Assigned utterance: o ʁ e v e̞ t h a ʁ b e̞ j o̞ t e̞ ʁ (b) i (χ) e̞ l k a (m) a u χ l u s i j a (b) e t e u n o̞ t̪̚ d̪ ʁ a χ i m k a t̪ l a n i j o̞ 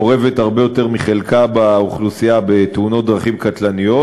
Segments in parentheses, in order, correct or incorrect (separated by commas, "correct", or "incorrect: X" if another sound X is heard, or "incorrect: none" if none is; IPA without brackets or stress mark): incorrect: m, correct, incorrect: b, correct